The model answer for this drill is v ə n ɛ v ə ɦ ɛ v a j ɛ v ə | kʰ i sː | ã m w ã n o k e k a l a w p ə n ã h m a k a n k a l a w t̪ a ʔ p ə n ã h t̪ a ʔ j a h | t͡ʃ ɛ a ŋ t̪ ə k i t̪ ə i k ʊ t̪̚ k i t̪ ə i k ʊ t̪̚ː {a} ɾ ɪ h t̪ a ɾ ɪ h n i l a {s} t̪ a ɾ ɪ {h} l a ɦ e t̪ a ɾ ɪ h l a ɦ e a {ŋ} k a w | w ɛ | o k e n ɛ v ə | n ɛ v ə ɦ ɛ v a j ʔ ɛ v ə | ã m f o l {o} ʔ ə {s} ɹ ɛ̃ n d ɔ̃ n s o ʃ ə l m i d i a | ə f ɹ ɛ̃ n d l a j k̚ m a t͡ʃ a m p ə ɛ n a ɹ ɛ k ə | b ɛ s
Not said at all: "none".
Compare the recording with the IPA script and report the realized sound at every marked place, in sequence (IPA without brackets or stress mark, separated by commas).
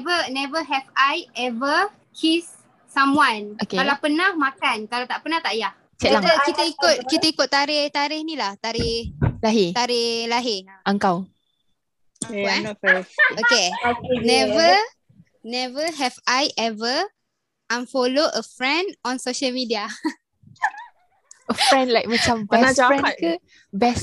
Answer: a, h, h, ŋ, o, f